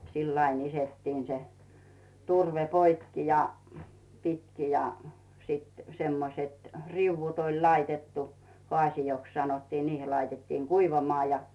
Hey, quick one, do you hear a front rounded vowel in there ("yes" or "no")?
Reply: no